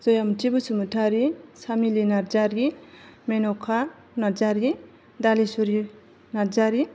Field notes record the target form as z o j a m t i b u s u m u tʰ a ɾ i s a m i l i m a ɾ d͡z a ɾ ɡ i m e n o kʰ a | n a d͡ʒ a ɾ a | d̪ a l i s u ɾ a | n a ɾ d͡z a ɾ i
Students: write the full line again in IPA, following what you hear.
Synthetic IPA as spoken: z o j a m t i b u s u m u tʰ a ɾ i s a m i l i n a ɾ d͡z a ɾ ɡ i m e n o kʰ a | n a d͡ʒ a ɾ i | d̪ a l i s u ɾ i | n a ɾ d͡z a ɾ i